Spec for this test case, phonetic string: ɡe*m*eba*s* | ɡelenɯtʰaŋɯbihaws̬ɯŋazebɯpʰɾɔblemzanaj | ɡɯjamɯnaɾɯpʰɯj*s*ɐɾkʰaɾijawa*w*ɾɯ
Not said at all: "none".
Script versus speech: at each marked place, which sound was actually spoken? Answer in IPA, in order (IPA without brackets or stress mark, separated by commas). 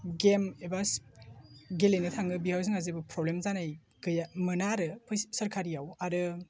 m, s, s, none